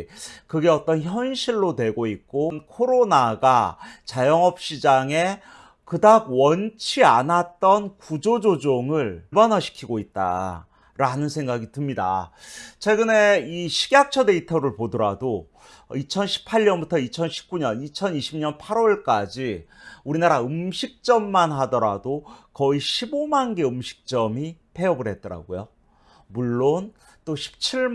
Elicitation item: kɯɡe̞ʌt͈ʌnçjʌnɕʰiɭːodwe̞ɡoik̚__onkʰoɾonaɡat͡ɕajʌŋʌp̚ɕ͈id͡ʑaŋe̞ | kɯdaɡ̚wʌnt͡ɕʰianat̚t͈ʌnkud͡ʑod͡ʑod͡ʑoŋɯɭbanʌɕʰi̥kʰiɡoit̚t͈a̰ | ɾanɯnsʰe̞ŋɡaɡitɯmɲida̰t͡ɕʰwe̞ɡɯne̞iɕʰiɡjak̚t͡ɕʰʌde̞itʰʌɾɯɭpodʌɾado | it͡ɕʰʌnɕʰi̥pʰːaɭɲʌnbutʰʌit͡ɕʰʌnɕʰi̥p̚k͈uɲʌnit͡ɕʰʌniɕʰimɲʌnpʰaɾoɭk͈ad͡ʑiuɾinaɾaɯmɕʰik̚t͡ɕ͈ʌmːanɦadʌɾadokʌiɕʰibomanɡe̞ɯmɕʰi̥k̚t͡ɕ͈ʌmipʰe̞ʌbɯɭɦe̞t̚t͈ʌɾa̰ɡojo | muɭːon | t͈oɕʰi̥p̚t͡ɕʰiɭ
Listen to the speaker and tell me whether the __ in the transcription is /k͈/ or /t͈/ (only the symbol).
k͈